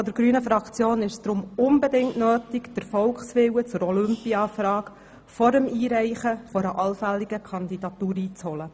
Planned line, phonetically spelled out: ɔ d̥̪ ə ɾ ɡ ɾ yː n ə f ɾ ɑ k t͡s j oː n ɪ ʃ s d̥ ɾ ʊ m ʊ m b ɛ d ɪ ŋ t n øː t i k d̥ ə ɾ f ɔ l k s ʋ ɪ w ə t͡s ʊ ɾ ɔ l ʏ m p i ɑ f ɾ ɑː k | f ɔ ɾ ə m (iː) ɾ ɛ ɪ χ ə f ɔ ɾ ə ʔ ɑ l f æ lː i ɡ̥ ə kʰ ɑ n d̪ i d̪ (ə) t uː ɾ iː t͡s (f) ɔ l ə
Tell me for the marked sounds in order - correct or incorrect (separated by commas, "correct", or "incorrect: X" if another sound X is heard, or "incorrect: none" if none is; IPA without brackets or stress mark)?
correct, incorrect: ɑ, incorrect: h